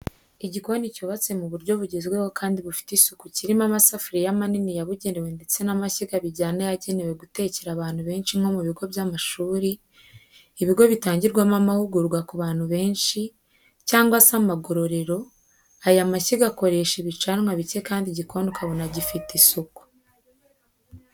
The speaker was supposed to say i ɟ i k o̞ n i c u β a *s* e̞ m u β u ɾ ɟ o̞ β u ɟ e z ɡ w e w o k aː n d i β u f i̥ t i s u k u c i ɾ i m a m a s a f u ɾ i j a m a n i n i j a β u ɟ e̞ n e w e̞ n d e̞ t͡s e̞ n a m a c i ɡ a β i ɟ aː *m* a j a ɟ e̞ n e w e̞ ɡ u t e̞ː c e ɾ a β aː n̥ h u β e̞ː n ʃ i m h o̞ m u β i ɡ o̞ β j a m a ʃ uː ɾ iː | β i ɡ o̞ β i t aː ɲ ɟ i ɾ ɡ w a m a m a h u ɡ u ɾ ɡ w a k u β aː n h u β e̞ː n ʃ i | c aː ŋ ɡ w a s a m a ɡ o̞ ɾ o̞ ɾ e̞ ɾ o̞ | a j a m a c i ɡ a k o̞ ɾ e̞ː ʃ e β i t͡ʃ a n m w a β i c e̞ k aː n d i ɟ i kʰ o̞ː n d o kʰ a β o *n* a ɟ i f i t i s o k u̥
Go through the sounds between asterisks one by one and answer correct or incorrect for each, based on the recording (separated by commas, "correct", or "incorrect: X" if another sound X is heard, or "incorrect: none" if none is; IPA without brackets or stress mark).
incorrect: t͡s, incorrect: n, correct